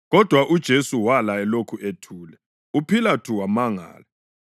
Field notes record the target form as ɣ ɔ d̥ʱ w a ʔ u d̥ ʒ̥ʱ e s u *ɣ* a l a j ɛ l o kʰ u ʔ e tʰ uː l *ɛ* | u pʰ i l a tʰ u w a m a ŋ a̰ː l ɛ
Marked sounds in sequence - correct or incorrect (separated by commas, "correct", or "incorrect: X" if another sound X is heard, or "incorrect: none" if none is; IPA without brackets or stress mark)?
incorrect: w, correct